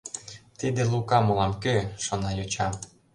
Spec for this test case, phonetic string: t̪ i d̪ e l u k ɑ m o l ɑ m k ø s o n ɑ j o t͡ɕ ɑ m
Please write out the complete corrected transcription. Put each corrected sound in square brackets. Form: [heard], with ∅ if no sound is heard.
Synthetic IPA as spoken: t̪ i d̪ e l u k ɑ m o l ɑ m k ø [ʃ] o n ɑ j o t͡ɕ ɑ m